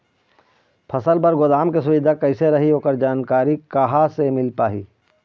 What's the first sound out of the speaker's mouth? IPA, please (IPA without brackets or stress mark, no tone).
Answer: pʰ